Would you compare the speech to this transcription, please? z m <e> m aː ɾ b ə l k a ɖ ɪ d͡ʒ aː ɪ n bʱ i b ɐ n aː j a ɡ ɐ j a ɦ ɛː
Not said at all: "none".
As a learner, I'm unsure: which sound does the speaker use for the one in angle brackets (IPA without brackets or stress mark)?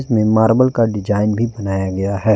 ẽ